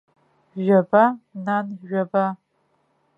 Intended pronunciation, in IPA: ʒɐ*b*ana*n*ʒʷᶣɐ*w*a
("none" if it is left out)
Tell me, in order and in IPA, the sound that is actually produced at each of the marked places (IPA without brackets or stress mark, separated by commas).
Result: b, n, b